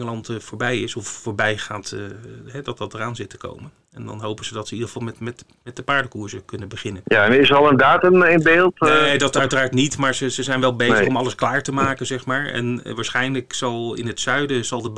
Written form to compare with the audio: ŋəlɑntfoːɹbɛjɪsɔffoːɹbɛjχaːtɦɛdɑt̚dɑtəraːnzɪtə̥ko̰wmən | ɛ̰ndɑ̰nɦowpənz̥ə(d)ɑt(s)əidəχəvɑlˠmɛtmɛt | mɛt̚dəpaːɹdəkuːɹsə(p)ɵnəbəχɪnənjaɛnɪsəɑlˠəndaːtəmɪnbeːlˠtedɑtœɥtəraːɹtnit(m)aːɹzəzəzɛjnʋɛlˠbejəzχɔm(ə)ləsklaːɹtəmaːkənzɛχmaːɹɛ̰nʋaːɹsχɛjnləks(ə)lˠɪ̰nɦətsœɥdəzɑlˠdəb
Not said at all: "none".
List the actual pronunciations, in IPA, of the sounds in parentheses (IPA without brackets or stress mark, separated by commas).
d, s, k, m, ɑ, ɑ